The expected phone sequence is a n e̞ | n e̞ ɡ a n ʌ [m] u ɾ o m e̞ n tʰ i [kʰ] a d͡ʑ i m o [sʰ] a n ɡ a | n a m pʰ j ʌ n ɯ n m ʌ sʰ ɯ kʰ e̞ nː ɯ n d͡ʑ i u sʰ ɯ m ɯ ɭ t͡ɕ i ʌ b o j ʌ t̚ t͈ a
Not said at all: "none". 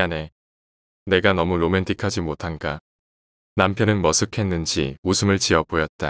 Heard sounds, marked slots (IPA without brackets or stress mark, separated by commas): m, kʰ, tʰ